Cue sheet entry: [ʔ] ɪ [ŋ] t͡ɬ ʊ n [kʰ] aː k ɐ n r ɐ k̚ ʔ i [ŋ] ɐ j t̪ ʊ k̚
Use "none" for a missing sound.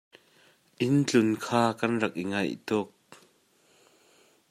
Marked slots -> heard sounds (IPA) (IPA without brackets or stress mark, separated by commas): ʔ, n, kʰ, ŋ